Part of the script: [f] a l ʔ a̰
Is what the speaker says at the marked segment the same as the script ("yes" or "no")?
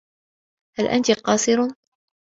no